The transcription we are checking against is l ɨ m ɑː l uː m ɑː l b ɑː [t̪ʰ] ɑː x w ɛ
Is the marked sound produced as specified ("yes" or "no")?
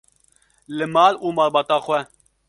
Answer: no